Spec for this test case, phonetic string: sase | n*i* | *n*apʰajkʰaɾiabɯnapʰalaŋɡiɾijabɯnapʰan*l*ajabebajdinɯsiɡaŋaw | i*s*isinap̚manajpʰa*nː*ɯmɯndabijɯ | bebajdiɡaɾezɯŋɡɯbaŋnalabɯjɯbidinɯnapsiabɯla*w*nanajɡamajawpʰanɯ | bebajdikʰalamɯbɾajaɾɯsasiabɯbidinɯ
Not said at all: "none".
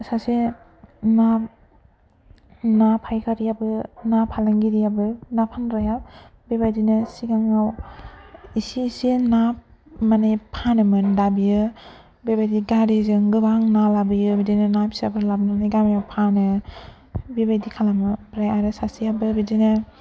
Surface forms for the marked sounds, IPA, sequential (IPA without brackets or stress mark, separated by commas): a, n, ɾ, s, n, b